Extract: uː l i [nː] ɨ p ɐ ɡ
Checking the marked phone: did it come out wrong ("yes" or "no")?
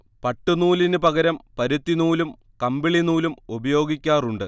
yes